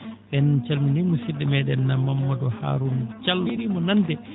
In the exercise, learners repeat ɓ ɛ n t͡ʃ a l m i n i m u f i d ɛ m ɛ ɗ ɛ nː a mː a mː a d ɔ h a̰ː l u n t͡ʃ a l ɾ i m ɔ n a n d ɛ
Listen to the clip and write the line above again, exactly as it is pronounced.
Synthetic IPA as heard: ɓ ɛ n t͡ʃ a l m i n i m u s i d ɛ m ɛ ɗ ɛ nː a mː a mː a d ɔ h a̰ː ɾ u n t͡ʃ a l ɾ i m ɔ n a n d ɛ